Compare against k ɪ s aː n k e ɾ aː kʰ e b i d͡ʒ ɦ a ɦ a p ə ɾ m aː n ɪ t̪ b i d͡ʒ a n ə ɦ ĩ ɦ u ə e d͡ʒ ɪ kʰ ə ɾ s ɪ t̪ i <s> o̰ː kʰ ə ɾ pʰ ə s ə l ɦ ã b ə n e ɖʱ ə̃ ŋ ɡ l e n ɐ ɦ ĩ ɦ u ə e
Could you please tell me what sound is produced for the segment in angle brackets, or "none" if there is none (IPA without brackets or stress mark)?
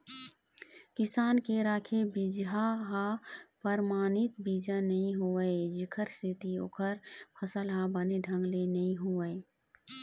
none